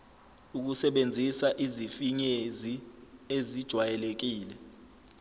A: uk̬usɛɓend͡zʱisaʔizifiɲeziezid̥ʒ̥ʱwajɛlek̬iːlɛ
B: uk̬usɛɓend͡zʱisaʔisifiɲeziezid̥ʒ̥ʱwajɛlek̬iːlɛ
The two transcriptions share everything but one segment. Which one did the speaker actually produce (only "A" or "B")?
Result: A